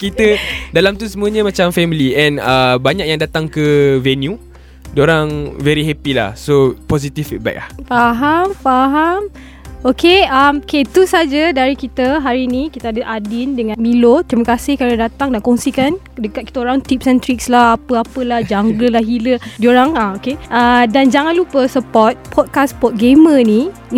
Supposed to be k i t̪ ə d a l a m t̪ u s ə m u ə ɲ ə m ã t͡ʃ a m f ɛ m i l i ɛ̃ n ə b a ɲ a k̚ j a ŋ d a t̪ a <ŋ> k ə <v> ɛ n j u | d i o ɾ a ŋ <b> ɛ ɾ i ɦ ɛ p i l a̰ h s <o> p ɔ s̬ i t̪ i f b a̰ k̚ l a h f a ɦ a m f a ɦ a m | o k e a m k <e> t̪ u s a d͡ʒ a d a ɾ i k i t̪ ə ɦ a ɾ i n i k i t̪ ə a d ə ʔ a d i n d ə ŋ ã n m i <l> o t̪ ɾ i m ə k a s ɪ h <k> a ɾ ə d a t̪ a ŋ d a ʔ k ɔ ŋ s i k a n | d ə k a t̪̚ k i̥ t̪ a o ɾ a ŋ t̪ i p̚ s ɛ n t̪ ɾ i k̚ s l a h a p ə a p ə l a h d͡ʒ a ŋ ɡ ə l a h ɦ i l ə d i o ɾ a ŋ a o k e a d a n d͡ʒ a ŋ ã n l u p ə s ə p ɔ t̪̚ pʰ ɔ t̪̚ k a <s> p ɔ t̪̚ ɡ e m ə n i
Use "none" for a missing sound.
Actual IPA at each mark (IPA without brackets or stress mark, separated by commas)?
ŋ, v, v, o, e, l, k, s